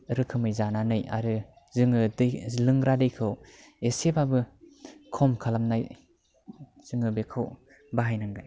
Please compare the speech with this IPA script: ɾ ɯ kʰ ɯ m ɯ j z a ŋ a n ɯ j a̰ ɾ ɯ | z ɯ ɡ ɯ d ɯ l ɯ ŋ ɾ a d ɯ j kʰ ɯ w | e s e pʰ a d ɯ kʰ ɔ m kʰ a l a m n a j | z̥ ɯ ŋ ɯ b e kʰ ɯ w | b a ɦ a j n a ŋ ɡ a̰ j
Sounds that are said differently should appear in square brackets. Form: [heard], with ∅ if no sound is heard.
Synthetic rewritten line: ɾ ɯ kʰ ɯ m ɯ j z a [n] a n ɯ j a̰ ɾ ɯ | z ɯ [ŋ] ɯ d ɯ l ɯ ŋ ɾ a d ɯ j kʰ ɯ w | e s e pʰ a [b] ɯ kʰ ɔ m kʰ a l a m n a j | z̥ ɯ ŋ ɯ b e kʰ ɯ w | b a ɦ a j n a ŋ ɡ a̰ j